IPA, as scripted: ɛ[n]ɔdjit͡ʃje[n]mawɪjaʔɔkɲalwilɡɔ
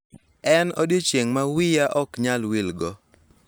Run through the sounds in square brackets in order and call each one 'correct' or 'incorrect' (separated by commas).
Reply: correct, incorrect